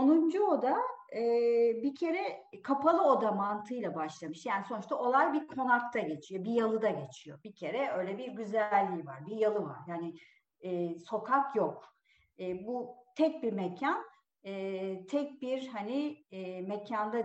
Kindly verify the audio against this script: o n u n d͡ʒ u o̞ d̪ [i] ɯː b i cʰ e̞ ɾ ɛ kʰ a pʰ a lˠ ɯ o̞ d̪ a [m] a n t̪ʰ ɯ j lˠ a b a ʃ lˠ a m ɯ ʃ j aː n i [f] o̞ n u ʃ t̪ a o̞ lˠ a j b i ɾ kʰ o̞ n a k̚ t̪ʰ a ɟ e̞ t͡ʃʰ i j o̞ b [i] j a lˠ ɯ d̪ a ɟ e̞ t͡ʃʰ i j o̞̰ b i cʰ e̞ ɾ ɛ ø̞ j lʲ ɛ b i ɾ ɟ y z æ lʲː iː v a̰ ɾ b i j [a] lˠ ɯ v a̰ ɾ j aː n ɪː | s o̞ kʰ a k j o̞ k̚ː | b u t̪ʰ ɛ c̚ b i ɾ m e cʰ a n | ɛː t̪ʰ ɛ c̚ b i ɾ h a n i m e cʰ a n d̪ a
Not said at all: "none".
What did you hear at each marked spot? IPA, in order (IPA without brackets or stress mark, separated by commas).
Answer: a, m, s, i, a